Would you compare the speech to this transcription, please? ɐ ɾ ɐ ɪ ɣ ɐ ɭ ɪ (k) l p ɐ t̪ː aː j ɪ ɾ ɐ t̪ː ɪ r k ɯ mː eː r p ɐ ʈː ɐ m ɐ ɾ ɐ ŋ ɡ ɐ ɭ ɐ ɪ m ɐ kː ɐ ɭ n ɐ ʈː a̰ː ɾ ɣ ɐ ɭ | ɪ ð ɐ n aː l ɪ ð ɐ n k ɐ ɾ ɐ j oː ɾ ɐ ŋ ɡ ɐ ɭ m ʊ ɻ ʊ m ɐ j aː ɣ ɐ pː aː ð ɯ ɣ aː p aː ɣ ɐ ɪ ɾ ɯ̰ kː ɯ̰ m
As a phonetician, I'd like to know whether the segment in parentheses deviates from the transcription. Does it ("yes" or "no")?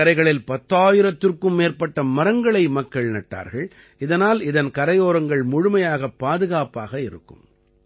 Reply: yes